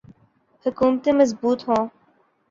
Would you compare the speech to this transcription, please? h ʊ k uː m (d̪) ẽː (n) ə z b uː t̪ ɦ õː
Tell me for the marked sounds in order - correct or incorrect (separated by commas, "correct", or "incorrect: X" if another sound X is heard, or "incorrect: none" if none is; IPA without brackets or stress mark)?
incorrect: t̪, incorrect: m